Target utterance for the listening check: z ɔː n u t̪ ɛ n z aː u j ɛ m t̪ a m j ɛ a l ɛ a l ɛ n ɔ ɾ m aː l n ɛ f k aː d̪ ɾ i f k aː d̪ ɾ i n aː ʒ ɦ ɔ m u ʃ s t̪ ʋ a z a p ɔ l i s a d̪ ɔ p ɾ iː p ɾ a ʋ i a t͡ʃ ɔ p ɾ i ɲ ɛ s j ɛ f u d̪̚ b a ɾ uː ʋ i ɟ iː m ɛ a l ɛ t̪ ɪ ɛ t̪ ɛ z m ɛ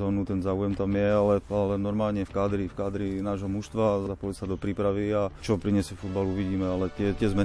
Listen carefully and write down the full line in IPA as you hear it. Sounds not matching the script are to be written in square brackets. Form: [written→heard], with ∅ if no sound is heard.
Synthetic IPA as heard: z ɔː n u t̪ ɛ n z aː u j ɛ m t̪ a m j ɛ a l ɛ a l ɛ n ɔ ɾ m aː l [n→ɲ] ɛ f k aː d̪ ɾ i f k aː d̪ ɾ i n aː ʒ ɦ ɔ m u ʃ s t̪ ʋ a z a p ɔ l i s a d̪ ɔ p ɾ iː p ɾ a ʋ i a t͡ʃ ɔ p ɾ i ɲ ɛ s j ɛ f u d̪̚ b a [ɾ→l] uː ʋ i ɟ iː m ɛ a l ɛ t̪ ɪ ɛ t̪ ɛ z m ɛ